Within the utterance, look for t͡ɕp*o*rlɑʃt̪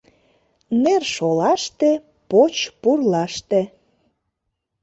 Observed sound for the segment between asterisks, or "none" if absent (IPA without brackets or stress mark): u